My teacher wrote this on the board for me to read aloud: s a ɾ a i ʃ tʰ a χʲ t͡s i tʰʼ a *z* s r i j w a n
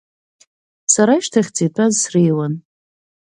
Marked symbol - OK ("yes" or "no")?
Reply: yes